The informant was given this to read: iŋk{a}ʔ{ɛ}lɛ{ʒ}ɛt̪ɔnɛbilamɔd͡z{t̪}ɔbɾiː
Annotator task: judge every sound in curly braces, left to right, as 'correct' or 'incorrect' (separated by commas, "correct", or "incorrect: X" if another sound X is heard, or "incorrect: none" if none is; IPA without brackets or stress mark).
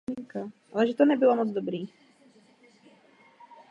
correct, incorrect: a, correct, incorrect: d̪